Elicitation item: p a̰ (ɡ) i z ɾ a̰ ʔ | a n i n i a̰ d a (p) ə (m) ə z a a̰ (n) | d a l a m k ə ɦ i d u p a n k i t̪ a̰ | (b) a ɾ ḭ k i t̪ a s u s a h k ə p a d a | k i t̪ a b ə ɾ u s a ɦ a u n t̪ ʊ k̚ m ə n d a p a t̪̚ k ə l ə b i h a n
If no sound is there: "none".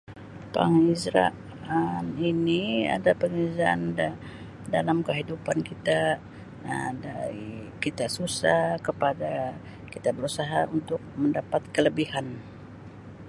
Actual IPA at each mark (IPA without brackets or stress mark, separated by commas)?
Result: ŋ, p, ŋ, n, d